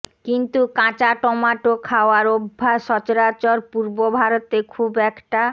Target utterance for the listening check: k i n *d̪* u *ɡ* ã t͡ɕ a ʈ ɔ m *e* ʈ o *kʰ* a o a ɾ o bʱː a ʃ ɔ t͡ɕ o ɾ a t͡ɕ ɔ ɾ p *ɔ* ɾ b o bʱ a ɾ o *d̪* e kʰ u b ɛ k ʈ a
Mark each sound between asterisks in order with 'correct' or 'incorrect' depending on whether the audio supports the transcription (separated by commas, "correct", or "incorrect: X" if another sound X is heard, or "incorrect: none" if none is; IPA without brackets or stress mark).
incorrect: t̪, incorrect: k, incorrect: a, correct, incorrect: u, incorrect: t̪